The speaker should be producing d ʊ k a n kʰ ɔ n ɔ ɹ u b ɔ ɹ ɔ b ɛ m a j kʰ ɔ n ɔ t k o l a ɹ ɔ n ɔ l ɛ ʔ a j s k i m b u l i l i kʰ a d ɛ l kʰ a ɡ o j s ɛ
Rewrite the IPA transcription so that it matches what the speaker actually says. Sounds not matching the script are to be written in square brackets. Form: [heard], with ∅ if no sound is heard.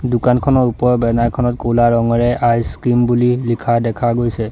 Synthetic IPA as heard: d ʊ k a n kʰ ɔ n ɔ ɹ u [p] ɔ ɹ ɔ b ɛ [n] a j kʰ ɔ n ɔ t k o l a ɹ ɔ [ŋ] ɔ [ɹ] ɛ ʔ a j s k i m b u l i l i kʰ a d ɛ [∅] kʰ a ɡ o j s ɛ